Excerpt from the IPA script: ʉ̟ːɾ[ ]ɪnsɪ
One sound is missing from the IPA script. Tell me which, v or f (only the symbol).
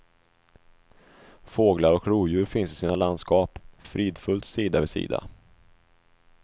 f